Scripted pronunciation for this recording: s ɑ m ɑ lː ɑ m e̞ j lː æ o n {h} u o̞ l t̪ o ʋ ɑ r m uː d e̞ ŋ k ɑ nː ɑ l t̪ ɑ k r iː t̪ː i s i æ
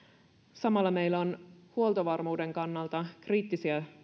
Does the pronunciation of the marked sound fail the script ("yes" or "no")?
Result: no